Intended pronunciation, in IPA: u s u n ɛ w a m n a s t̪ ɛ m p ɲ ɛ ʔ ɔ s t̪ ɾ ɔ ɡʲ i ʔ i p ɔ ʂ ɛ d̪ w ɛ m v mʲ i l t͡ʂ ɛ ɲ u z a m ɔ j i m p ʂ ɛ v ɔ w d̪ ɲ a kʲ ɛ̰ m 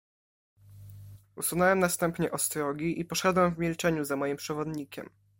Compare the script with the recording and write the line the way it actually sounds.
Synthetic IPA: u s u n ɛ w ɛ m n a s t̪ ɛ m p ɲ ɛ ʔ ɔ s t̪ ɾ ɔ ɡʲ i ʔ i p ɔ ʂ ɛ d̪ w ɛ m v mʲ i l t͡ʂ ɛ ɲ u z a m ɔ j i m p ʂ ɛ v ɔ d̪ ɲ i kʲ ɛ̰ m